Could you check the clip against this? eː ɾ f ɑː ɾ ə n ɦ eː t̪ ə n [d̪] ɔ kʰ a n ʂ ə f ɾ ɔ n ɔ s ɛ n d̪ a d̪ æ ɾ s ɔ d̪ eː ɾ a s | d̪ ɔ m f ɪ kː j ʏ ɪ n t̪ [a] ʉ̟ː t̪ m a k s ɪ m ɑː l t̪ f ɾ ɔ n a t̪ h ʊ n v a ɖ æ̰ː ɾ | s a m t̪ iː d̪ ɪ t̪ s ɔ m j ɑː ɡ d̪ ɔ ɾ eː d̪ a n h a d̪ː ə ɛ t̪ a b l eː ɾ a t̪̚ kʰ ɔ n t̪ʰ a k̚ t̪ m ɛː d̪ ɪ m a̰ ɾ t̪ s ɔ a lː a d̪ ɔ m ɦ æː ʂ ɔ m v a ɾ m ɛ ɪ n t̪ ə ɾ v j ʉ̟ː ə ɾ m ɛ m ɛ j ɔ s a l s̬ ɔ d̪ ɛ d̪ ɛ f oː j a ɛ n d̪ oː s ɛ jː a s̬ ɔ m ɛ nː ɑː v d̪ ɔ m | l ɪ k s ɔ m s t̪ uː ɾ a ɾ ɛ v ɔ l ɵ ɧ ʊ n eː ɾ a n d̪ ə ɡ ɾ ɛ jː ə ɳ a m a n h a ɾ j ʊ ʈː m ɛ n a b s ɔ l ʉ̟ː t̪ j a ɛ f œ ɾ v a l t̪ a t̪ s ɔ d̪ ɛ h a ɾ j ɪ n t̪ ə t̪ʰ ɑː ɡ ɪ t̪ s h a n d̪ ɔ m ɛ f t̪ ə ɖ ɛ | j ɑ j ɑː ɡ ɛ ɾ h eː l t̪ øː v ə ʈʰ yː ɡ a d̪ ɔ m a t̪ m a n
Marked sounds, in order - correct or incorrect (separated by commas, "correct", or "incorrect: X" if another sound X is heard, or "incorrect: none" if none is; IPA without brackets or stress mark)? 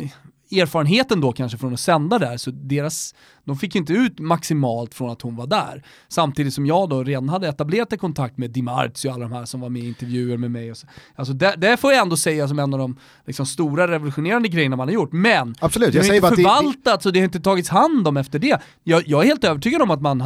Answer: correct, incorrect: ə